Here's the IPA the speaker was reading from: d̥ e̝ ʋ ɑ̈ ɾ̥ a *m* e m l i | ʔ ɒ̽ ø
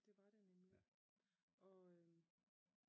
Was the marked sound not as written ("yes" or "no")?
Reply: yes